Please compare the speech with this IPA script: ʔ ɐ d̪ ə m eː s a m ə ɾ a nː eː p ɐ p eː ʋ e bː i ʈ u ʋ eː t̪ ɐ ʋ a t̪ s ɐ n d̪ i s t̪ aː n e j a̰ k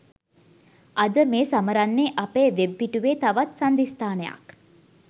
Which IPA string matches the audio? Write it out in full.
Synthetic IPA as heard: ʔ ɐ d̪ ə m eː s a m ə ɾ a nː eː ʔ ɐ p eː ʋ e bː i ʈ u ʋ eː t̪ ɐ ʋ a t̪ s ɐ n d̪ i s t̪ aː n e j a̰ k